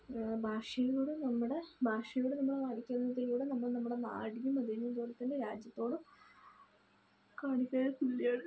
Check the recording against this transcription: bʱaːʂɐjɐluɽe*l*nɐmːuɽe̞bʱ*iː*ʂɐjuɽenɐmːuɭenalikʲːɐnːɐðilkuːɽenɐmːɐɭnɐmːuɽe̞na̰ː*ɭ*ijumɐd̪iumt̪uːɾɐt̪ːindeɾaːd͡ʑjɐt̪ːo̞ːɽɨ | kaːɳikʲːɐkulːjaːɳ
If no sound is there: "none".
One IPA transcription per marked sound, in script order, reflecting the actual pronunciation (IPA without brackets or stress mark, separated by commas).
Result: none, aː, ɽ